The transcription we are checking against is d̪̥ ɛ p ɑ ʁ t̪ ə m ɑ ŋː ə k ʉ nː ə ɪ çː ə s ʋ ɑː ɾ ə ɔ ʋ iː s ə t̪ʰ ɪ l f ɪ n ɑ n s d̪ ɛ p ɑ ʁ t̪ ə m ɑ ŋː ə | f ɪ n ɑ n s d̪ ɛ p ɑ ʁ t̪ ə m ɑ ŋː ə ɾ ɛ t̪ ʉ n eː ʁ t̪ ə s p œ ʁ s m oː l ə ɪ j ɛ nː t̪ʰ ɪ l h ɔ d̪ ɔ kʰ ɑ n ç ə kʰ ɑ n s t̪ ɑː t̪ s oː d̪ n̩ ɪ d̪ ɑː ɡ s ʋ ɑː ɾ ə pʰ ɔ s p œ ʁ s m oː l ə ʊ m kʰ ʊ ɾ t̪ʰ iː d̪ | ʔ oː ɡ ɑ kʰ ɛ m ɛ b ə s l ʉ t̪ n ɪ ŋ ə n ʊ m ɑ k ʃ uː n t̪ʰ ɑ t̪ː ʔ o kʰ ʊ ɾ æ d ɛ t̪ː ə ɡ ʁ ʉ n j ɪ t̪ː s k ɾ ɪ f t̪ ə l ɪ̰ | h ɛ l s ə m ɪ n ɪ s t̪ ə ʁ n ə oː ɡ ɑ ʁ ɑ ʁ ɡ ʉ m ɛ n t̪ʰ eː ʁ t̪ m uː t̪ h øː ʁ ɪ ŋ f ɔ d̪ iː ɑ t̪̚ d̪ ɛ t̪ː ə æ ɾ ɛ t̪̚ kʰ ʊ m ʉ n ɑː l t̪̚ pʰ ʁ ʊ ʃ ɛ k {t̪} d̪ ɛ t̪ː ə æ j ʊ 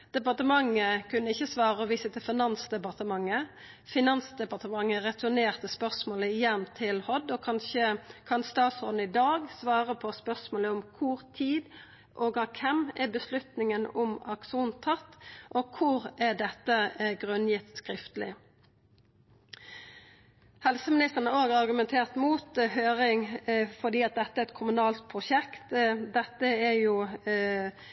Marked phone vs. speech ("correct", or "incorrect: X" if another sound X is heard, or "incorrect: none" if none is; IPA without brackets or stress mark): correct